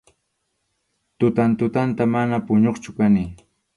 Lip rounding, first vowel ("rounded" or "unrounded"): rounded